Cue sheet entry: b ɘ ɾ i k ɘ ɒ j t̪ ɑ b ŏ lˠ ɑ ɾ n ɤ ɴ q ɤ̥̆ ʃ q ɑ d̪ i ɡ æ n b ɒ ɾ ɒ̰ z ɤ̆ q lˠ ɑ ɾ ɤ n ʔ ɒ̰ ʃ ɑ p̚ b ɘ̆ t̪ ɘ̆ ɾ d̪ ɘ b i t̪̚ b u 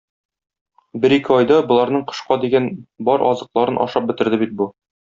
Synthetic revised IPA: b ɘ ɾ i k ɘ ɒ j d̪ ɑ b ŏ lˠ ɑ ɾ n ɤ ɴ q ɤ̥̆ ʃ q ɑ d̪ i ɡ æ n b ɒ ɾ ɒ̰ z ɤ̆ q lˠ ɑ ɾ ɤ n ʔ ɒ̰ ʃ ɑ p̚ b ɘ̆ t̪ ɘ̆ ɾ d̪ ɘ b i t̪̚ b u

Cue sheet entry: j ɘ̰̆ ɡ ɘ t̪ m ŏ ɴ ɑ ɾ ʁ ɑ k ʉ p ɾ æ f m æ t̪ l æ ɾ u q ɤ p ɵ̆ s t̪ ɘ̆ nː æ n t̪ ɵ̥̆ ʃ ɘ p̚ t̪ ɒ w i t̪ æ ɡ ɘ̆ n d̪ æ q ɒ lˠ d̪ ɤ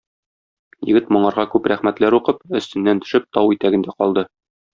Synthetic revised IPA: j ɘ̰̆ ɡ ɘ t̪ m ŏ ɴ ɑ ɾ ʁ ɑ k ʉ p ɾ æ χ m æ t̪ l æ ɾ u q ɤ p ɵ̆ s t̪ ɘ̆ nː æ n t̪ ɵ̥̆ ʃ ɘ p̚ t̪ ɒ w i t̪ æ ɡ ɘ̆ n d̪ æ q ɒ lˠ d̪ ɤ

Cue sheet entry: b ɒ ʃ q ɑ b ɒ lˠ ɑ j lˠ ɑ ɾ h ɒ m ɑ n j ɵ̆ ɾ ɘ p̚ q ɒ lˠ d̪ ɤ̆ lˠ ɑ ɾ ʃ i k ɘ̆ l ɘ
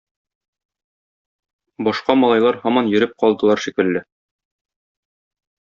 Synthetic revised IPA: b ɒ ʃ q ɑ m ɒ lˠ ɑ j lˠ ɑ ɾ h ɒ m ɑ n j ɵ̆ ɾ ɘ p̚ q ɒ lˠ d̪ ɤ̆ lˠ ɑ ɾ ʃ i k ɘ̆ lː ɘ

